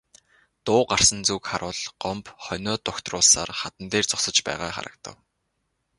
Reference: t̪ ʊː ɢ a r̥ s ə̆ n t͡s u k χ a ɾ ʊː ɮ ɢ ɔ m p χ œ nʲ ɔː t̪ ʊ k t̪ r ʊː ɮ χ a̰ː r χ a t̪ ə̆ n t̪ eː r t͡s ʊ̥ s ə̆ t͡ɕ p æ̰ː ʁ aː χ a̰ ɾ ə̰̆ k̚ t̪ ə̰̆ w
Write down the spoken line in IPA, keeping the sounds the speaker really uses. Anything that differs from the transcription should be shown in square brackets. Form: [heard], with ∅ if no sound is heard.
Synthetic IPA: t̪ ʊː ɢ a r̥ s ə̆ n t͡s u k χ a ɾ ʊː ɮ ɢ ɔ m p χ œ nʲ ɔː t̪ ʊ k t̪ r ʊː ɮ [s] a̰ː r χ a t̪ ə̆ n t̪ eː r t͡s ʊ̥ s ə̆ t͡ɕ p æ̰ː ʁ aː χ a̰ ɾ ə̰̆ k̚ t̪ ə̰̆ w